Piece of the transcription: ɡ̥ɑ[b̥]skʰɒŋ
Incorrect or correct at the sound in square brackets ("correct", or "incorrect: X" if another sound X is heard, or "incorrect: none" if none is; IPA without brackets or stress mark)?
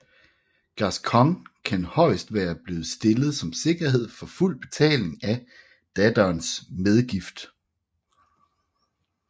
incorrect: none